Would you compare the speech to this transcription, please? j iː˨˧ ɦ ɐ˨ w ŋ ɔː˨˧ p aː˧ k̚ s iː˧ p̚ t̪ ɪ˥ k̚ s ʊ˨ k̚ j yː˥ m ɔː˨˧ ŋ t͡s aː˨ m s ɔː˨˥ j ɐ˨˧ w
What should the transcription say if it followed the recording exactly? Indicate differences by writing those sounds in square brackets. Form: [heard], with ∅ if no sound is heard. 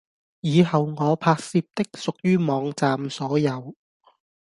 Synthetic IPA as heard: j iː˨˧ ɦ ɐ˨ w ŋ ɔː˨˧ [pʰ] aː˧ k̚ s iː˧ p̚ t̪ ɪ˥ k̚ s ʊ˨ k̚ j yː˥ m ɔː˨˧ ŋ t͡s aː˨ m s ɔː˨˥ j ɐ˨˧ w